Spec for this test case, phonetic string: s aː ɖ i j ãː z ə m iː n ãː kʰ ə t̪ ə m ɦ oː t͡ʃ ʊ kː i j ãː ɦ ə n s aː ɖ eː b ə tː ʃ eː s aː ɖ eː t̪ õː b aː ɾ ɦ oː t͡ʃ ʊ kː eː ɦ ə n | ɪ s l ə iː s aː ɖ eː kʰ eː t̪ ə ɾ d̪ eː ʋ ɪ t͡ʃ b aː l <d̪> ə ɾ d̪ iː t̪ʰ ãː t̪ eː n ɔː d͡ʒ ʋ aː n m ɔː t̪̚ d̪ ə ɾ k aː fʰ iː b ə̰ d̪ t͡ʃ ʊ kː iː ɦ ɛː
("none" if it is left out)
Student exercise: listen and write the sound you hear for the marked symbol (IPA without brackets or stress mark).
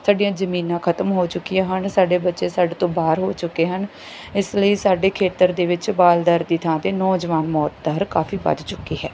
d̪